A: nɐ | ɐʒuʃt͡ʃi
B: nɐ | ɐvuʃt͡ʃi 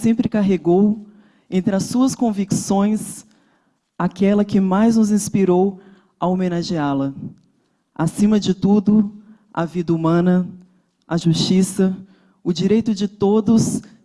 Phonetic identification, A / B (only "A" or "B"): A